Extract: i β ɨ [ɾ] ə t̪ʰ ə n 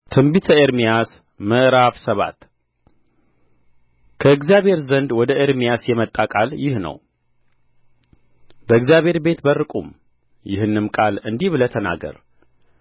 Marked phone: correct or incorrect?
incorrect